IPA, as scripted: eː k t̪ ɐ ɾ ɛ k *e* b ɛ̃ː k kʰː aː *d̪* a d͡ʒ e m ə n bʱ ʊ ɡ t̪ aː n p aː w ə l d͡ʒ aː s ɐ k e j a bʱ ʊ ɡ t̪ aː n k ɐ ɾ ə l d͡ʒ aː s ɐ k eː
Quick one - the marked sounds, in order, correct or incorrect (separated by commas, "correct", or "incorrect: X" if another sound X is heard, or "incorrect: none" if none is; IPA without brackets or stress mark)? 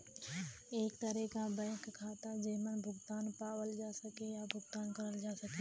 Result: incorrect: a, incorrect: t̪